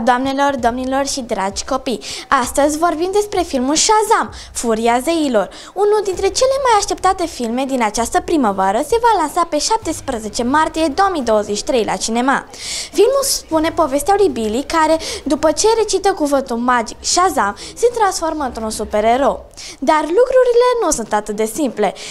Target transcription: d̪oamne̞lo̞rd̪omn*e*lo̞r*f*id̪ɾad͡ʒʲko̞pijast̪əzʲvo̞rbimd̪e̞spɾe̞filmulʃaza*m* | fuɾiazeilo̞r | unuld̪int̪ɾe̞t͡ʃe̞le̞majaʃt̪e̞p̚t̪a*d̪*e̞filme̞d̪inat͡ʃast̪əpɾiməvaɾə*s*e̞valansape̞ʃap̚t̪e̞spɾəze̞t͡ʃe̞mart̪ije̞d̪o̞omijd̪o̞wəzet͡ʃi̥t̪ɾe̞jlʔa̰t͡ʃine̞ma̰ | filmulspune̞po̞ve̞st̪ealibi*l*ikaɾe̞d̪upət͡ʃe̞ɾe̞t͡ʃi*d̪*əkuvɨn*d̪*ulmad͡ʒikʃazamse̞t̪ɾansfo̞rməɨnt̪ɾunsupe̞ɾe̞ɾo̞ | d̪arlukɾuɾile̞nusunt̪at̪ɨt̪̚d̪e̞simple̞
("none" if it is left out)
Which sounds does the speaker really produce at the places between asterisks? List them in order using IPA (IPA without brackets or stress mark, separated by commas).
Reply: i, ʃ, m, t̪, s, l, t̪, t̪